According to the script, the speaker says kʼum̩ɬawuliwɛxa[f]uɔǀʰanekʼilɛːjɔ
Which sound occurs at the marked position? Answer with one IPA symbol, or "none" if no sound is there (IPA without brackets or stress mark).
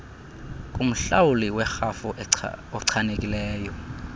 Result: f